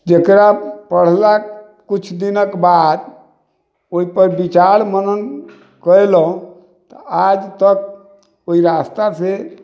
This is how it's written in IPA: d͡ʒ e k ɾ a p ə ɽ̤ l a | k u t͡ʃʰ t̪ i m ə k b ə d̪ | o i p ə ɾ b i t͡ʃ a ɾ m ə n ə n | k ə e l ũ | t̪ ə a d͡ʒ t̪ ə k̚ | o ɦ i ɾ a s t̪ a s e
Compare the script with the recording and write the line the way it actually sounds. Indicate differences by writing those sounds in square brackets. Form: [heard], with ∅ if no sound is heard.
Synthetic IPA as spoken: d͡ʒ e k ɾ a p ə ɽ̤ l a | k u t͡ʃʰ [d̪] i [n] ə k b [a] d̪ | o i p ə ɾ b i t͡ʃ a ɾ m ə n ə n | k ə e l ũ | t̪ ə a d͡ʒ t̪ ə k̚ | o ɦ i ɾ a s t̪ a s e